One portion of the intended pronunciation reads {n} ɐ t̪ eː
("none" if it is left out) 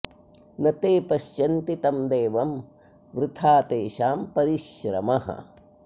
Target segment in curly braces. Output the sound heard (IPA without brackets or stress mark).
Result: n